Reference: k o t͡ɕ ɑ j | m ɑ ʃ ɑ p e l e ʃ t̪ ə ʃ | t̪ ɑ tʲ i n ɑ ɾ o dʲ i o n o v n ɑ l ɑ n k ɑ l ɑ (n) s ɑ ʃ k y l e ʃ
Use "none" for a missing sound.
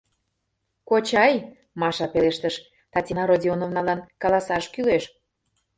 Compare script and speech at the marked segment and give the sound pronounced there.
none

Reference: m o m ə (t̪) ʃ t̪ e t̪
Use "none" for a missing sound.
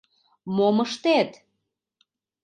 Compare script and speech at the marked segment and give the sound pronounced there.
none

